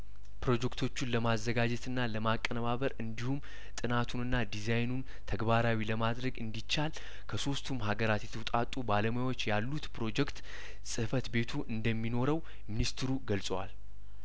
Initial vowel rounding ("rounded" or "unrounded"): rounded